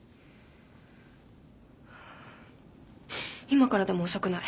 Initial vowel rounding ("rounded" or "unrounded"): unrounded